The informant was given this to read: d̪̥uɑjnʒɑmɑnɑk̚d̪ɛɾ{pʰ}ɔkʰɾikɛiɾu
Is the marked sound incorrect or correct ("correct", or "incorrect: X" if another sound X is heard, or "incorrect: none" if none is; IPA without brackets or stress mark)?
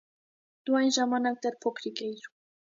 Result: correct